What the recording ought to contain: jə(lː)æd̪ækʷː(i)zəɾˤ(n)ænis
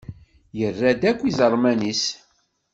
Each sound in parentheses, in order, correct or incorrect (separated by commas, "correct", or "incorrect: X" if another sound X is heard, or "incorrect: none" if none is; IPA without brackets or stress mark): incorrect: rː, correct, incorrect: m